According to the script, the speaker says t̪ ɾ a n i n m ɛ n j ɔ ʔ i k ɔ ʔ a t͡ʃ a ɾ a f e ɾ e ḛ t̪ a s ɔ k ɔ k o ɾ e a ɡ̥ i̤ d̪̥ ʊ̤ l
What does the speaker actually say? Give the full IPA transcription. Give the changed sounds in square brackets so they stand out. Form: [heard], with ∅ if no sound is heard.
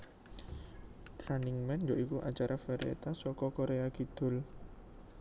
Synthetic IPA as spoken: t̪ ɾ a n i [ŋ] m ɛ n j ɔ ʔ i k [u] ʔ a t͡ʃ a ɾ a f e ɾ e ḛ t̪ a s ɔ k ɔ k o ɾ e a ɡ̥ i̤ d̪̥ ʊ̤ l